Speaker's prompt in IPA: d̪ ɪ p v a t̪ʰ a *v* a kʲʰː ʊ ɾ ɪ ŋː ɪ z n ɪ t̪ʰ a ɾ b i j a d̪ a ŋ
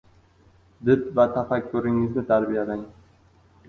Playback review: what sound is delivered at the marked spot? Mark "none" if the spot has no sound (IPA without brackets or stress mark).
f